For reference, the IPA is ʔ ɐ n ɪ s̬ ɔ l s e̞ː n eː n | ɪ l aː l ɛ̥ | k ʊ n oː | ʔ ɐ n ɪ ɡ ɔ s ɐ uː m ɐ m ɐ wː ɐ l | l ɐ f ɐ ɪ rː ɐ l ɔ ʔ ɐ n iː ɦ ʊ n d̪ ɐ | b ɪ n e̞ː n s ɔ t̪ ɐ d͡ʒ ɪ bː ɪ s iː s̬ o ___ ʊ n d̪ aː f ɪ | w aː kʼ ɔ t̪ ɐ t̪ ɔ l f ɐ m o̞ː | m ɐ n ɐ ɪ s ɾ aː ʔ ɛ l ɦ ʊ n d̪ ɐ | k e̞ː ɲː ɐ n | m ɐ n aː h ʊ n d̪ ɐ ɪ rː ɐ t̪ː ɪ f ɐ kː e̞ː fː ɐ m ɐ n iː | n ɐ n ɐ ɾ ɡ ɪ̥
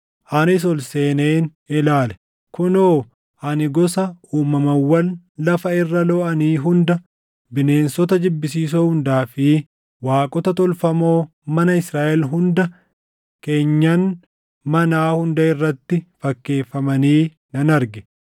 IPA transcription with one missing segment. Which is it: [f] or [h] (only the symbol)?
h